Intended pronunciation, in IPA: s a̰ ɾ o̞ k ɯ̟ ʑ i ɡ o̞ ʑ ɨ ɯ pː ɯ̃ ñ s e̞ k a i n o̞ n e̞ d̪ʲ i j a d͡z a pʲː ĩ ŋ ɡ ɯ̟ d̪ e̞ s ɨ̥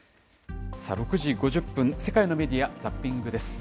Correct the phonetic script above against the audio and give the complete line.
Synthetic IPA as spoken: s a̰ ɾ o̞ k ɯ̟ ʑ i ɡ o̞ ʑ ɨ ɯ pː ɯ̃ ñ s e̞ k a i n o̞ m e̞ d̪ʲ i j a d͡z a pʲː ĩ ŋ ɡ ɯ̟ d̪ e̞ s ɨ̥